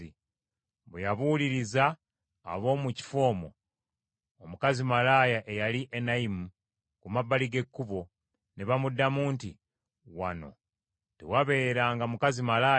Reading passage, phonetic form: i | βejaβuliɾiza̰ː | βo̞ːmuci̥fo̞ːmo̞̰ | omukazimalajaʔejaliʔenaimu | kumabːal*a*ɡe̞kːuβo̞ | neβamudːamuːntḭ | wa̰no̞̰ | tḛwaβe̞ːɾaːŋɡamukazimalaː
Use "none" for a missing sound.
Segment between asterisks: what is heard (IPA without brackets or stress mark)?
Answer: i